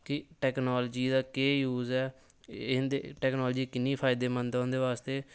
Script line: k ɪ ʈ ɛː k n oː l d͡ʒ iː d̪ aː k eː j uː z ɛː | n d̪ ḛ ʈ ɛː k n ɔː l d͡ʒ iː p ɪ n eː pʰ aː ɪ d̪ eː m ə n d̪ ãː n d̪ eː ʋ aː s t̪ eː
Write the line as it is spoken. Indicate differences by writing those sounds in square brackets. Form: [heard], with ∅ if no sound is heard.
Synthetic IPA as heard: k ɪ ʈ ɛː k n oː l d͡ʒ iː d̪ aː k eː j uː z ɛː | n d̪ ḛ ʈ ɛː k n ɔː l d͡ʒ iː [k] ɪ n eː pʰ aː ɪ d̪ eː m ə n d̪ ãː n d̪ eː ʋ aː s t̪ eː